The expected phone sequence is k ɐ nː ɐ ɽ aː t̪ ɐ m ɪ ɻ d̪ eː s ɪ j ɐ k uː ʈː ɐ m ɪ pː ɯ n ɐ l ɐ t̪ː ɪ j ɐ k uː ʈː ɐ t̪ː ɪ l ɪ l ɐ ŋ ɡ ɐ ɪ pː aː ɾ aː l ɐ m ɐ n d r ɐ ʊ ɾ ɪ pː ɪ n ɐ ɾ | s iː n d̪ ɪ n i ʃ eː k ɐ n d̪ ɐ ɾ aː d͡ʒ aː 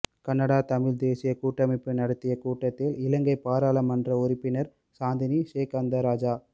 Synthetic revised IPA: k ɐ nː ɐ ɽ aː t̪ ɐ m ɪ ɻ d̪ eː s ɪ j ɐ k uː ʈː ɐ m ɪ pː ɯ n ɐ ɽ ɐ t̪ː ɪ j ɐ k uː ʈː ɐ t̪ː ɪ l ɪ l ɐ ŋ ɡ ɐ ɪ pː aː ɾ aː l ɐ m ɐ n d r ɐ ʊ ɾ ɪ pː ɪ n ɐ ɾ | s aː n d̪ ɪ n i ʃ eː k ɐ n d̪ ɐ ɾ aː d͡ʒ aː